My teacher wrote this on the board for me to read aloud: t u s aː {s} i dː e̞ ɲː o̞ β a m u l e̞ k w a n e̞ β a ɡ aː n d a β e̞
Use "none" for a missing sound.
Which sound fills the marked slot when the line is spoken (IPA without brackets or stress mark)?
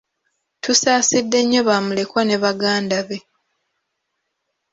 s